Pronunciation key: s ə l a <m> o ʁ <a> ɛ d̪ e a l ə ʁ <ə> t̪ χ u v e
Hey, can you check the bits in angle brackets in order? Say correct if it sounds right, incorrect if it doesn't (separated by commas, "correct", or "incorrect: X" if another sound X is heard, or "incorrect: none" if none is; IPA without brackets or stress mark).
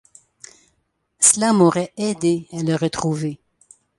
correct, incorrect: ɛ, correct